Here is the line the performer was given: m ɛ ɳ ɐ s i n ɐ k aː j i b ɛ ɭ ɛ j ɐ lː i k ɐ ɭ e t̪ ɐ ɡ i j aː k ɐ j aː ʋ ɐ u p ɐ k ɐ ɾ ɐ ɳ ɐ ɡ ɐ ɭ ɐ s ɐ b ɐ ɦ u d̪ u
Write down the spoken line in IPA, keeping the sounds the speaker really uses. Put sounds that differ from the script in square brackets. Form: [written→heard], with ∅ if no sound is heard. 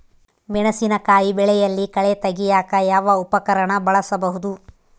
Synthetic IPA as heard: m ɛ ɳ ɐ s i n ɐ k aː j i b ɛ ɭ ɛ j ɐ lː i k ɐ ɭ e t̪ ɐ ɡ i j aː k ɐ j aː ʋ ɐ u p ɐ k ɐ ɾ ɐ ɳ ɐ [ɡ→b] ɐ ɭ ɐ s ɐ b ɐ ɦ u d̪ u